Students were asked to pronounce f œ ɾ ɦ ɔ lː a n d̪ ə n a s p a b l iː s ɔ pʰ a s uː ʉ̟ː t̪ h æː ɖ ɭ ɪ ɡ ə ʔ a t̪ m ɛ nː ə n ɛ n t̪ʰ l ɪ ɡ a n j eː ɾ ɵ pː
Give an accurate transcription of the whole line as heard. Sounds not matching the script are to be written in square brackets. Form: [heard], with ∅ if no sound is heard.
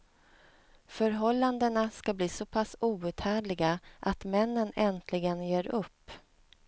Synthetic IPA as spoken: f œ ɾ ɦ ɔ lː a n d̪ ə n a s [k] a b l iː s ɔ pʰ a s uː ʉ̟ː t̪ h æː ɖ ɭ ɪ ɡ [a] ʔ a t̪ m ɛ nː ə n ɛ n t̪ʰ l ɪ ɡ [ə] n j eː ɾ ɵ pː